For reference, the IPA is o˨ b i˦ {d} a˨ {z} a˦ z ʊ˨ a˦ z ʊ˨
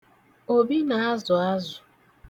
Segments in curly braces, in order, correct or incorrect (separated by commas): incorrect, incorrect